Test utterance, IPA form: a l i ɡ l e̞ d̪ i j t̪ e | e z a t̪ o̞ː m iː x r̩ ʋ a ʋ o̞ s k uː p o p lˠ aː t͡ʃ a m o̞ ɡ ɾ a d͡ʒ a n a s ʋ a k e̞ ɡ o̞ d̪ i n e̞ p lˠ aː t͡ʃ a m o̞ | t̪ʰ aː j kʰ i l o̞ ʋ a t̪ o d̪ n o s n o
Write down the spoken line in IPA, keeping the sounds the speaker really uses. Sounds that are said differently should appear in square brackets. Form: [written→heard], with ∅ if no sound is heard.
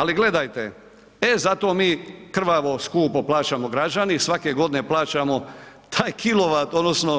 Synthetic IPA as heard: a l i ɡ l e̞ d̪ [i→a] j t̪ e | e z a t̪ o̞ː m iː [x→k] r̩ ʋ a ʋ o̞ s k uː p o p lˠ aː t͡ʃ a m o̞ ɡ ɾ a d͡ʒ a n [a→i] s ʋ a k e̞ ɡ o̞ d̪ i n e̞ p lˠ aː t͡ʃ a m o̞ | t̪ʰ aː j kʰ i l o̞ ʋ a t̪ o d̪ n o s n o

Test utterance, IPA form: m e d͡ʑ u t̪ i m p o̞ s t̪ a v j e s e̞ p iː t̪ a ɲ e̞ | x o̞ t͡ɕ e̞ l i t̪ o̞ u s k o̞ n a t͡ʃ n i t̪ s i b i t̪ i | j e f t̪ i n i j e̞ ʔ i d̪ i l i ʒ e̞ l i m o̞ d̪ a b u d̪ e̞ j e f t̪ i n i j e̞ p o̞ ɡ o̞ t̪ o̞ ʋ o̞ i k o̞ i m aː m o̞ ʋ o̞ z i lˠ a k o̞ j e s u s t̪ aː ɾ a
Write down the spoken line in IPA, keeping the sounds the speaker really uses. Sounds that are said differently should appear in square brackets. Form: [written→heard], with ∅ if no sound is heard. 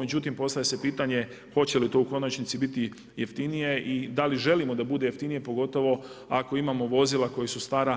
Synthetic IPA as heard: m e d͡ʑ u t̪ i m p o̞ s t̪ a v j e s e̞ p iː t̪ a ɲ e̞ | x o̞ t͡ɕ e̞ l i t̪ o̞ u [s→∅] k o̞ n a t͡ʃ n i t̪ s i b i t̪ i | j e f t̪ i n i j e̞ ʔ i d̪ [i→a] l i ʒ e̞ l i m o̞ d̪ a b u d̪ e̞ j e f t̪ i n i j e̞ p o̞ ɡ o̞ t̪ o̞ ʋ o̞ [i→a] k o̞ i m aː m o̞ ʋ o̞ z i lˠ a k o̞ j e s u s t̪ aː ɾ a

